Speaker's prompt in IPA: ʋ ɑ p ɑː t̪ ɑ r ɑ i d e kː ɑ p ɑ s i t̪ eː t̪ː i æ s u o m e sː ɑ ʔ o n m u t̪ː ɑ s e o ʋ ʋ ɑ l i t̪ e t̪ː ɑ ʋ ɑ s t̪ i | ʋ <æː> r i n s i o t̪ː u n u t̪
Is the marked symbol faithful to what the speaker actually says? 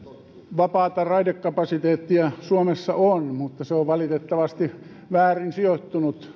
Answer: yes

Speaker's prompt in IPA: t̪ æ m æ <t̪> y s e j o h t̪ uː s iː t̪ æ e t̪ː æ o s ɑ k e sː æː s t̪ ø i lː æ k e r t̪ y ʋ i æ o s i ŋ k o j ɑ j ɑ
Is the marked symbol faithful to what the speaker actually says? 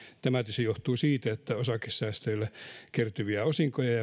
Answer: yes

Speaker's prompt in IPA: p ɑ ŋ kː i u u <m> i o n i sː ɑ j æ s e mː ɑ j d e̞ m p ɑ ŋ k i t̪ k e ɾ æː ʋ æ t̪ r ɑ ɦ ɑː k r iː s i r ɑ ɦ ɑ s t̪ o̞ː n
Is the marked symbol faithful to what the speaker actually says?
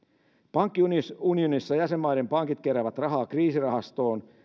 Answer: no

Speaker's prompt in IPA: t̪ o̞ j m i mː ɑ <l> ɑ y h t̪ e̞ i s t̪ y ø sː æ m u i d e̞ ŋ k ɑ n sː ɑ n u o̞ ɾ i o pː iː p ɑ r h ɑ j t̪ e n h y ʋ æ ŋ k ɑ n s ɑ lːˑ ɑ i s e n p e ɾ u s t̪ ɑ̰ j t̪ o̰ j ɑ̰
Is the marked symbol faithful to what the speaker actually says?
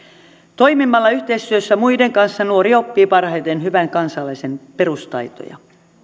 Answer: no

